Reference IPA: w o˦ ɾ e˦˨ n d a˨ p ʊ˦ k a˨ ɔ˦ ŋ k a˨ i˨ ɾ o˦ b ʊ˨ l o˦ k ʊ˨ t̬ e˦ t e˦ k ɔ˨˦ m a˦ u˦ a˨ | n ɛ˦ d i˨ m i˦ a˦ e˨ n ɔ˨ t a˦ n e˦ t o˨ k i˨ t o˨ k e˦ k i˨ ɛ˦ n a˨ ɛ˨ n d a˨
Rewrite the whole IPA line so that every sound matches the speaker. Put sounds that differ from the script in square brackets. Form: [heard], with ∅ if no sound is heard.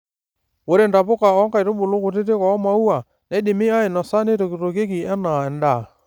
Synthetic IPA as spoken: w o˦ ɾ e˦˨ n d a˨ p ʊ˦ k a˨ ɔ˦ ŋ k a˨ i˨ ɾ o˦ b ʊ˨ l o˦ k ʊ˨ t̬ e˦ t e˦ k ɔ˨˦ m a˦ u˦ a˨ | n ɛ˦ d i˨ m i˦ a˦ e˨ n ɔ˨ [s] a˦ n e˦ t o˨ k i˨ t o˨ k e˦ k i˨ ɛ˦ n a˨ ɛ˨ n d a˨